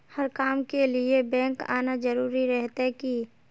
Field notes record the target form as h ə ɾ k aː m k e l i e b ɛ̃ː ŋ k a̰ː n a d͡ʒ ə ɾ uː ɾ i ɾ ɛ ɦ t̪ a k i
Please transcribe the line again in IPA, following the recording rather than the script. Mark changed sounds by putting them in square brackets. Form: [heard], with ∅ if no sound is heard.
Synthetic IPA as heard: h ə ɾ k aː m k e l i e b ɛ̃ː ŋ k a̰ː n a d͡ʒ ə ɾ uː ɾ i ɾ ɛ ɦ t̪ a k i